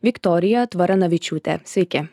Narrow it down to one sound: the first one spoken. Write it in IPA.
ʋʲ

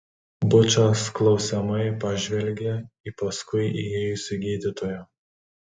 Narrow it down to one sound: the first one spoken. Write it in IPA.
b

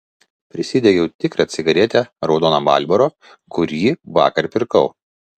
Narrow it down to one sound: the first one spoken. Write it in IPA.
pʲ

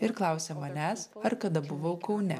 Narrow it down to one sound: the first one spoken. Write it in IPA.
ɪ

